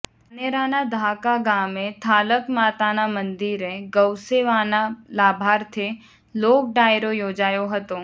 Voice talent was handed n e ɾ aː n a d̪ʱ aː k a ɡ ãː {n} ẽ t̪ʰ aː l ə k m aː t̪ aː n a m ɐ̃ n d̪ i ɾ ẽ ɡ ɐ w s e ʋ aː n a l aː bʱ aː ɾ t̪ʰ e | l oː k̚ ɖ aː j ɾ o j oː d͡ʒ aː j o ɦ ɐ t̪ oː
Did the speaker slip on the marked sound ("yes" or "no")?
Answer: yes